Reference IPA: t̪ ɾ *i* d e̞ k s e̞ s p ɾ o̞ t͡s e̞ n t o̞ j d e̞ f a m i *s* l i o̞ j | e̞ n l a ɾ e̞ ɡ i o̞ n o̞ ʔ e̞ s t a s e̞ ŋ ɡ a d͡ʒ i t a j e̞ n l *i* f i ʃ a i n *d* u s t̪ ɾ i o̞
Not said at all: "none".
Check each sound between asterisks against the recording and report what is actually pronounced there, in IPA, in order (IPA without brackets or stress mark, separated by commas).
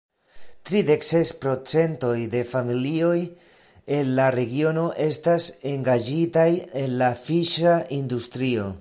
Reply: i, none, a, d